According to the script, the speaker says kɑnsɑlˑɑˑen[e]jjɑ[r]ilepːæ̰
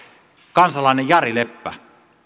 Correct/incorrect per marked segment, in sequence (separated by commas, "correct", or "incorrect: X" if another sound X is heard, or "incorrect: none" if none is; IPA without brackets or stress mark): correct, correct